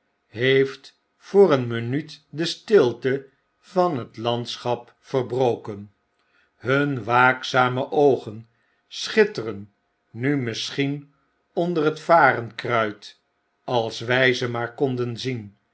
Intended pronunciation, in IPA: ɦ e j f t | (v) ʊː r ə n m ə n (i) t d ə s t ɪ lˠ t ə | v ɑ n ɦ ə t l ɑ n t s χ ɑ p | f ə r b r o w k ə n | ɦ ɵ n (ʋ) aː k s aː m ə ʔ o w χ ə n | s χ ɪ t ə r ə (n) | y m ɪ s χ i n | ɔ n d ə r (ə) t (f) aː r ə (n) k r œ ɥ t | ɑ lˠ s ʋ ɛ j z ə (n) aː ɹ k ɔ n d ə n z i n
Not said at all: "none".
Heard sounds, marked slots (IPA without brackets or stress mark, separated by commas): f, y, ʋ, nː, ə, f, n, m